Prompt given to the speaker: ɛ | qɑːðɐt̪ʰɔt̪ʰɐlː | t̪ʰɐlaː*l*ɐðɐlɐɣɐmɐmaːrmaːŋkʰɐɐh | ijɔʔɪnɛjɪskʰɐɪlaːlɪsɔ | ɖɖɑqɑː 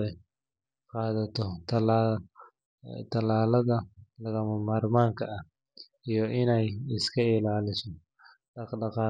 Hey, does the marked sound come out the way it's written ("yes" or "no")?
yes